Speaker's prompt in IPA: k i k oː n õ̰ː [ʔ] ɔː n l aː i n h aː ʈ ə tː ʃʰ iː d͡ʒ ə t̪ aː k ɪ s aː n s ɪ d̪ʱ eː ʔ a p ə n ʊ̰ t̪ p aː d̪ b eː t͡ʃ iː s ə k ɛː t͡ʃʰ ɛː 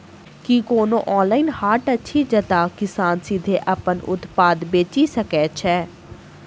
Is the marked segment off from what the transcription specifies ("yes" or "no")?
no